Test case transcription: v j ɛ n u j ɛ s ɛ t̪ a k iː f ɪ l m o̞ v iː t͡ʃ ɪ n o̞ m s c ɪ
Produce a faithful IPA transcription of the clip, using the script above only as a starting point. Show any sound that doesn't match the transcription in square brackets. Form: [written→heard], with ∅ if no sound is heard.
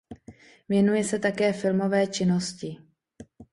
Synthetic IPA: v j ɛ n u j ɛ s ɛ t̪ a k [iː→ɛː] f ɪ l m o̞ v [iː→ɛː] t͡ʃ ɪ n o̞ [m→∅] s c ɪ